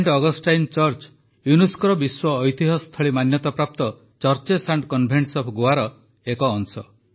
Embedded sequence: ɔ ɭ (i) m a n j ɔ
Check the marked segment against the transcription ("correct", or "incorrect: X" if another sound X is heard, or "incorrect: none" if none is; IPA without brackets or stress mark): correct